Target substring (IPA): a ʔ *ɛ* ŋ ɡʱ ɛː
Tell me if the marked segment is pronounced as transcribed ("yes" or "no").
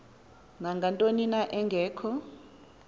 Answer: yes